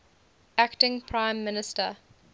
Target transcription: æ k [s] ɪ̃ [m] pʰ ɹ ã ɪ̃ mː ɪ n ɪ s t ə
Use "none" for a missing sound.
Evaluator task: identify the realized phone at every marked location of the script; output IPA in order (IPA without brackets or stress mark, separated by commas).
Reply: t, ŋ